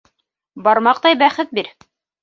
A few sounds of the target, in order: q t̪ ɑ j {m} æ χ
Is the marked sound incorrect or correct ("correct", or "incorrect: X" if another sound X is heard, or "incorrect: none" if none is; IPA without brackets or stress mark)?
incorrect: b